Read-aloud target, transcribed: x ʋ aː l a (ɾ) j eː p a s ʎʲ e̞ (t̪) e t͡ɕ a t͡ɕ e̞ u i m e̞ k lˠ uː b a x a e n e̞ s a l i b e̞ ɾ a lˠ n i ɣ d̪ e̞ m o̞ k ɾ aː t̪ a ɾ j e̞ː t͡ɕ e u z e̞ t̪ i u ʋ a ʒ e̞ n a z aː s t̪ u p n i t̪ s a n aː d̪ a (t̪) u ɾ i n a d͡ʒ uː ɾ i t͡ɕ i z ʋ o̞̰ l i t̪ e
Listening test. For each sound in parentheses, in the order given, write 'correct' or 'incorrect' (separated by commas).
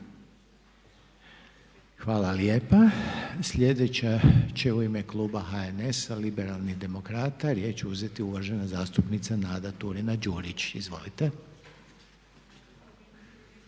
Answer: incorrect, incorrect, correct